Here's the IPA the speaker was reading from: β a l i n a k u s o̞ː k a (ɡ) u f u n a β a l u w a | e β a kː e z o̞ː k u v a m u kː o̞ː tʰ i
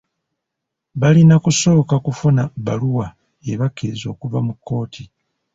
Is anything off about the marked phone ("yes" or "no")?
yes